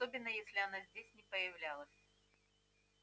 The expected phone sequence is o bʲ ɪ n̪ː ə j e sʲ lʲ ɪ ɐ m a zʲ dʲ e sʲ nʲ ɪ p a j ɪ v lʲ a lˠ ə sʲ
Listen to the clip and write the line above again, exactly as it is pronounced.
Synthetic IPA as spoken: o bʲ ɪ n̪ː ə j e sʲ lʲ ɪ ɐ n a zʲ dʲ e sʲ nʲ ɪ p ə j ɪ v lʲ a lˠ ə sʲ